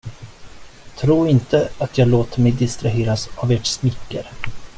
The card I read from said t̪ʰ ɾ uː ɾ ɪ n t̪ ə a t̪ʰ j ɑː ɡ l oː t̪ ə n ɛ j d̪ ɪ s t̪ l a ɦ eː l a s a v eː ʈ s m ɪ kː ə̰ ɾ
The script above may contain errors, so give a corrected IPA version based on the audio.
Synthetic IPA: t̪ʰ ɾ uː ɾ ɪ n t̪ ə a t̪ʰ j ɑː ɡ l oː t̪ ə m ɛ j d̪ ɪ s t̪ ɾ a ɦ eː ɾ a s a v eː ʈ s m ɪ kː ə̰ ɾ